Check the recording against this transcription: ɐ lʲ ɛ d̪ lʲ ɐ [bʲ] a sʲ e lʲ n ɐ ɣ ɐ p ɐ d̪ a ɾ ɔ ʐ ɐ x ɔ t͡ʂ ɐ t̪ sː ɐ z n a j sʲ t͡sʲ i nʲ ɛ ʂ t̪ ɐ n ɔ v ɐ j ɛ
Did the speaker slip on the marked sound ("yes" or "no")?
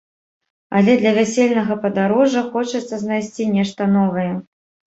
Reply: yes